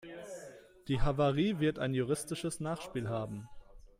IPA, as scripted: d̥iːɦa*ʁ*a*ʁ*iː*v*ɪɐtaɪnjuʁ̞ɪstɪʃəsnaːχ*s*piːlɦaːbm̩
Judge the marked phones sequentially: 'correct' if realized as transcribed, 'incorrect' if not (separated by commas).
incorrect, correct, correct, incorrect